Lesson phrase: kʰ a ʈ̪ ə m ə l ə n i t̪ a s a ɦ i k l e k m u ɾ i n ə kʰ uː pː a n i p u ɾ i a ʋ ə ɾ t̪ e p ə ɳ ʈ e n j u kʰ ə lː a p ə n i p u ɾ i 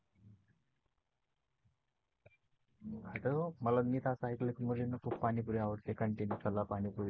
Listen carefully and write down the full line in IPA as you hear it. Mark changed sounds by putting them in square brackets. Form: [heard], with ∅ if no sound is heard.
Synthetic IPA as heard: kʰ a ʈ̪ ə m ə l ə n i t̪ a s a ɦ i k l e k m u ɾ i n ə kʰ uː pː a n i p u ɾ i a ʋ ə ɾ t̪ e [k] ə ɳ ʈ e n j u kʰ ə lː a p [a] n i p u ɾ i